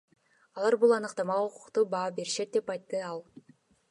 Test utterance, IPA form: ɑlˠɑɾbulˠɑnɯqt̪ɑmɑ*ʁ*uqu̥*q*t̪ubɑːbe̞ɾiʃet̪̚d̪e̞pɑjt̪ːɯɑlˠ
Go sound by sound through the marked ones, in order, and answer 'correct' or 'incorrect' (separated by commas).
correct, correct